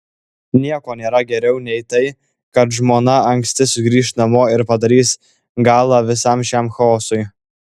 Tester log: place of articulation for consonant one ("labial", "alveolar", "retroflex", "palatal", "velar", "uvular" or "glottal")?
alveolar